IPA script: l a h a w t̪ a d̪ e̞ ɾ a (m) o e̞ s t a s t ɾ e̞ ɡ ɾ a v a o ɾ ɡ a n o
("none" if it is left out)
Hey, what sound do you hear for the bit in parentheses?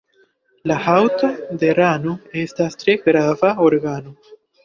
n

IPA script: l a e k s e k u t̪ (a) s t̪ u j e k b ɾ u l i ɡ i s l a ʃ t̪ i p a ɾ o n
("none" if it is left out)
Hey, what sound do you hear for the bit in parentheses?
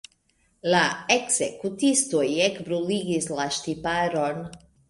i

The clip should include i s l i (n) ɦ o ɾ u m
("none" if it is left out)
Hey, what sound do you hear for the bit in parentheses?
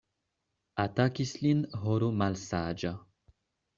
n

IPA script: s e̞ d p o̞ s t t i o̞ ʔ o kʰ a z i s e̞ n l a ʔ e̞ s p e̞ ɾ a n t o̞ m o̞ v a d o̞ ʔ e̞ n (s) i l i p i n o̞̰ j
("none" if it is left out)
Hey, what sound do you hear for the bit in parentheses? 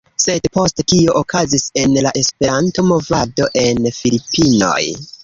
f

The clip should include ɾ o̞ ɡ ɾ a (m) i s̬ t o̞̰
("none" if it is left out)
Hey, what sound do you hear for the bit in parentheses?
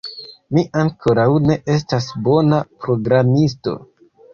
m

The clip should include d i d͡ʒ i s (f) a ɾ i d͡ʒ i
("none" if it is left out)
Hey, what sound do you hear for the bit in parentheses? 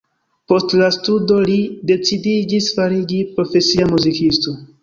f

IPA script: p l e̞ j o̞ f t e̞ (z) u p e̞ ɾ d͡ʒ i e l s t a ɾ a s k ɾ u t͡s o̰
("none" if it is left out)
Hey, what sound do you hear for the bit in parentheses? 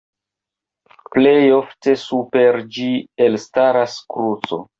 s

